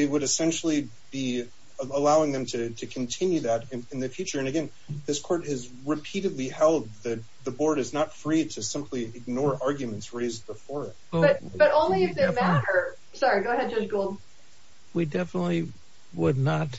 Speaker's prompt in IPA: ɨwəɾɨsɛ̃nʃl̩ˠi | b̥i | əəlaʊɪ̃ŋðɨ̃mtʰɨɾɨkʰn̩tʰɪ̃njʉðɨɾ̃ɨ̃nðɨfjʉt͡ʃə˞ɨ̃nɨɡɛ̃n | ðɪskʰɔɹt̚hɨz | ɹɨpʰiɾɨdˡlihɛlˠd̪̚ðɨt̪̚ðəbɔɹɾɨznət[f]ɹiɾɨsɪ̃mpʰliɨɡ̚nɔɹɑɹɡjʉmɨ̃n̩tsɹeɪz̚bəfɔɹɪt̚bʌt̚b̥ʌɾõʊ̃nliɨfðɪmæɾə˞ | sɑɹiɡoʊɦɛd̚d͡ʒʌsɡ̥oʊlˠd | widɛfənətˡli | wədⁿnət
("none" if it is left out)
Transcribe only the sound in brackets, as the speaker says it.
f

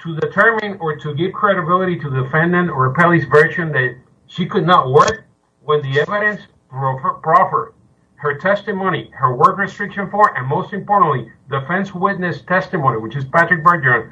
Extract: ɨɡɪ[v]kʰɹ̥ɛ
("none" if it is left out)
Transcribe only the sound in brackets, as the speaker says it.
v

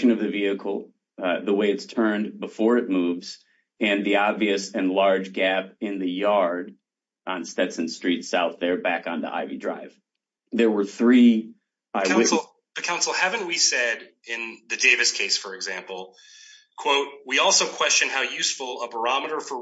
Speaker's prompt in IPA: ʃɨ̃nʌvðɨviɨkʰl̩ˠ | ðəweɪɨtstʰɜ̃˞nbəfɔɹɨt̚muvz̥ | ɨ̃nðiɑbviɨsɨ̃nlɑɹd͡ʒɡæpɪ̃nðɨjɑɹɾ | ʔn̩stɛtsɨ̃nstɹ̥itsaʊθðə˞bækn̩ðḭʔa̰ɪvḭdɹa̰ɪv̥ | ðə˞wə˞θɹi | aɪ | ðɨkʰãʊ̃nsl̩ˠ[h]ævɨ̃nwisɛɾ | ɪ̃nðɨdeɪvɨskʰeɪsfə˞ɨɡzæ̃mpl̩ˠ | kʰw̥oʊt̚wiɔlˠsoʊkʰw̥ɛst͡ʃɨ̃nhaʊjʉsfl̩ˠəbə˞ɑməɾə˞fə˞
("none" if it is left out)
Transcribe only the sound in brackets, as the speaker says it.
h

